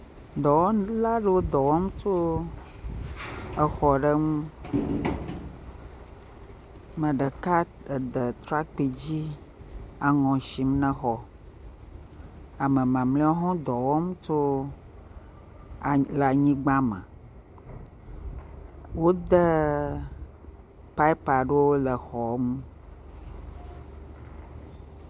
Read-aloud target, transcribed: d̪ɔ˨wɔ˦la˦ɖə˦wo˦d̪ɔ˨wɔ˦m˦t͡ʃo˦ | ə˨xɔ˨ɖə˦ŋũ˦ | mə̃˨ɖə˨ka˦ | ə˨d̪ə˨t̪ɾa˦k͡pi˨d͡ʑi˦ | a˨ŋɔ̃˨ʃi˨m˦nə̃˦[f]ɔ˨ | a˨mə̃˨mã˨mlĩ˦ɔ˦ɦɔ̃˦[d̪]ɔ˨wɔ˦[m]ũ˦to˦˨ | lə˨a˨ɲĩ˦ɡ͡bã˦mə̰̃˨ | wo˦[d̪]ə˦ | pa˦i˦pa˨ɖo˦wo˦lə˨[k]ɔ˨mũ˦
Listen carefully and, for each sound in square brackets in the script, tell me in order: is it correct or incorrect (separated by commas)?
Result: incorrect, correct, correct, correct, incorrect